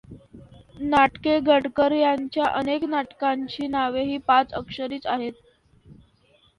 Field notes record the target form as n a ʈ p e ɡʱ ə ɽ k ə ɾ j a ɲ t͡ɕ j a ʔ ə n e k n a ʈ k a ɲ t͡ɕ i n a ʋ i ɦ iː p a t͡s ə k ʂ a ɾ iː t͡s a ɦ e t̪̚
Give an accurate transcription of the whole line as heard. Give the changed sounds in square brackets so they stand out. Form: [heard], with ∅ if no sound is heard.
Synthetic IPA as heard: n a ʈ [k] e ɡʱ ə ɽ k ə ɾ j a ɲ t͡ɕ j a ʔ ə n e k n a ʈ k a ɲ t͡ɕ [iː] n a ʋ [e] ɦ iː p a t͡s ə k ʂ [ə] ɾ iː t͡s a ɦ e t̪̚